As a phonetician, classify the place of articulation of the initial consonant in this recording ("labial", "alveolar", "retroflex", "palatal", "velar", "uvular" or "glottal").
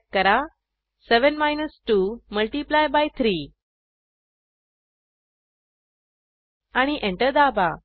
velar